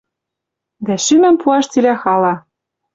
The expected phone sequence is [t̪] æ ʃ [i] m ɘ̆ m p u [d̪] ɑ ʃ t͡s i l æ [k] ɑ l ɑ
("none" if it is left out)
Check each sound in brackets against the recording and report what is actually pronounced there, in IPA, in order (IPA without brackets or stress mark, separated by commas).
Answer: d̪, y, none, x